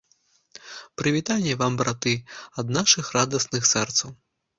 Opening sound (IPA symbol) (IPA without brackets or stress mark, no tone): p